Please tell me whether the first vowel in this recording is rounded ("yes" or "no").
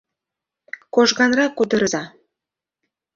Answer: yes